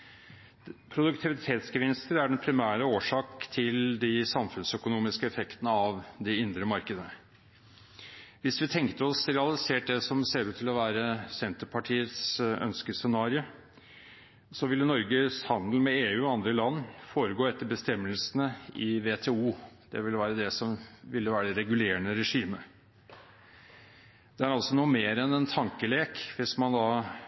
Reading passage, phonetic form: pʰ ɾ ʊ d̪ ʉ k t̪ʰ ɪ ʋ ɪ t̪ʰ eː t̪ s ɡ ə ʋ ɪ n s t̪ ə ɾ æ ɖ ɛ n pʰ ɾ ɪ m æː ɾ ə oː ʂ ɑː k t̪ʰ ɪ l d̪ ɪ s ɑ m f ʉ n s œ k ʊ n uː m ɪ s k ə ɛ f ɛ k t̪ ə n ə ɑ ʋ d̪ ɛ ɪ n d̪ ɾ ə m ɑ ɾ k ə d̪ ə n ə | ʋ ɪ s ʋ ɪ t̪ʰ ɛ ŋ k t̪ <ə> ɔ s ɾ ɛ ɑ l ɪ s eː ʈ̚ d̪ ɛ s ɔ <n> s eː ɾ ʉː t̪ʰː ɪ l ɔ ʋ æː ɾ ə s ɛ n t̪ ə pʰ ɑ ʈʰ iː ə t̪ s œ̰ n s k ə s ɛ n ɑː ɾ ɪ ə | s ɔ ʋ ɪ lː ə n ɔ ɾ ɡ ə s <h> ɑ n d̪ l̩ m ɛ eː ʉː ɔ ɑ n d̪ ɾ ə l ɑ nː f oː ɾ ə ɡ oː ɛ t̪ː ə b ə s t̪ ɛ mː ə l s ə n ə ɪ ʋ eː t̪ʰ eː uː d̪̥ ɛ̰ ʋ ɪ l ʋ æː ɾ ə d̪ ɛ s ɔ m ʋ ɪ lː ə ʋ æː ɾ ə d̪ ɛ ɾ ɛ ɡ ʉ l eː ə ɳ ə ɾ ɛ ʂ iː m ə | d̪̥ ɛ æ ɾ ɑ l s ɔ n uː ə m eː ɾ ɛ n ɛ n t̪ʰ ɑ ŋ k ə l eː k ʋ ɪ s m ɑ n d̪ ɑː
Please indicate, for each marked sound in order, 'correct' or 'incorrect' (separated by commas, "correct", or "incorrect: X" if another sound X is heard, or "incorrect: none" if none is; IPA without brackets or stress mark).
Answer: correct, incorrect: m, correct